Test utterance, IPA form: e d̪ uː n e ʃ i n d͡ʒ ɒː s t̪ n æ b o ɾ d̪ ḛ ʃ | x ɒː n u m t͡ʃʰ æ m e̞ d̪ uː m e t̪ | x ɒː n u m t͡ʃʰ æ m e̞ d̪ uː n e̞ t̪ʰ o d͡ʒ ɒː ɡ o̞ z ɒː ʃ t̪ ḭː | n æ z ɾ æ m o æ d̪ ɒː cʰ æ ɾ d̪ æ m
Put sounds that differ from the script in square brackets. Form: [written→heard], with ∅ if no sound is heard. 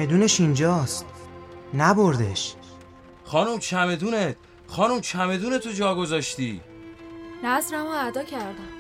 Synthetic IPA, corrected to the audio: e d̪ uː n e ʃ i n d͡ʒ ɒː s t̪ n æ b o ɾ d̪ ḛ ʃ | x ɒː n u m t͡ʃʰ æ m e̞ d̪ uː [m→n] e t̪ | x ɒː n u m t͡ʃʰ æ m e̞ d̪ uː n e̞ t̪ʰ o d͡ʒ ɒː ɡ o̞ z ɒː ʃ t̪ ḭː | n æ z ɾ æ m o æ d̪ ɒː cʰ æ ɾ d̪ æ m